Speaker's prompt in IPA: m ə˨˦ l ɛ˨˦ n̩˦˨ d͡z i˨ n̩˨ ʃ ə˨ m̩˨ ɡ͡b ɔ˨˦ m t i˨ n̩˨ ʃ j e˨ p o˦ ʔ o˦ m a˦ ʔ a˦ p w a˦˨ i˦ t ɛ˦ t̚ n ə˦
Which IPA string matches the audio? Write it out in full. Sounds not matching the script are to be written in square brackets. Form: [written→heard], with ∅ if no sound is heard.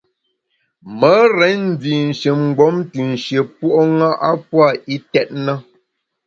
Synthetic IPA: m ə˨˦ [l→ɾ] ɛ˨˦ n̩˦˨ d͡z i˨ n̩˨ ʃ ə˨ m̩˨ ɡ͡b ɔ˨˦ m t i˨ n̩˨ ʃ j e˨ p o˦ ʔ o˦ [m→ŋ] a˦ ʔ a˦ p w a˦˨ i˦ t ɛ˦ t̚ n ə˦